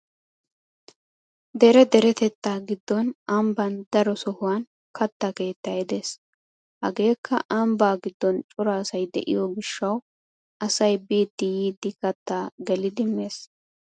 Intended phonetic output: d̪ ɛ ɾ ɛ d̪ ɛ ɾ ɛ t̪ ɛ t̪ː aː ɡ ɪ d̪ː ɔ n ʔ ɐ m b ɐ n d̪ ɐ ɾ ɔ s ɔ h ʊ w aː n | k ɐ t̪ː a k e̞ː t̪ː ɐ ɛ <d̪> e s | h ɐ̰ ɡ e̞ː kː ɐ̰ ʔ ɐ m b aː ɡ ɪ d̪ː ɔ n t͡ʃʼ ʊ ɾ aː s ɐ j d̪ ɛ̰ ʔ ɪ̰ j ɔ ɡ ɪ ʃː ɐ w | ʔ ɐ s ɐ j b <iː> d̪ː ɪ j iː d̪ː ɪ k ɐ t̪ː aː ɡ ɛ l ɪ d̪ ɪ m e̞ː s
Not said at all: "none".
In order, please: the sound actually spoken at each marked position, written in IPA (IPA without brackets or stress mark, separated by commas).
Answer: d̪, iː